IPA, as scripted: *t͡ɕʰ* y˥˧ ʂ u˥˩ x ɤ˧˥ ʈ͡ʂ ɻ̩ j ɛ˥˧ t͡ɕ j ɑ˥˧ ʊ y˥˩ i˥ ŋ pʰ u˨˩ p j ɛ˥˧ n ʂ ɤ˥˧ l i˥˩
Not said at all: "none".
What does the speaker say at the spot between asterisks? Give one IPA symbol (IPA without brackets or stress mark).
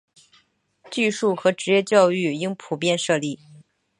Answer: t͡ɕ